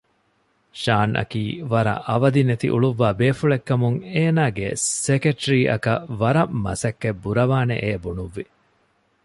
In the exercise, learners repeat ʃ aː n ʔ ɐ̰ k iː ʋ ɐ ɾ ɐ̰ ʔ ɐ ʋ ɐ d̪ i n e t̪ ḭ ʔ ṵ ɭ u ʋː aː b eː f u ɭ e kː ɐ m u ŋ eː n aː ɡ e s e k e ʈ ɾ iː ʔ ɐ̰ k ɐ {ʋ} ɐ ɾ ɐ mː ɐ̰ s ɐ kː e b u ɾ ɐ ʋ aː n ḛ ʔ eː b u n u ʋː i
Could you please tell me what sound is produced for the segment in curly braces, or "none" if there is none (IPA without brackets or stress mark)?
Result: ʋ